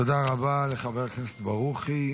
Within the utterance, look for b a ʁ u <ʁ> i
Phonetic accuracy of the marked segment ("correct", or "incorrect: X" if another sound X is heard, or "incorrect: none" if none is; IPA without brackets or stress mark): incorrect: χ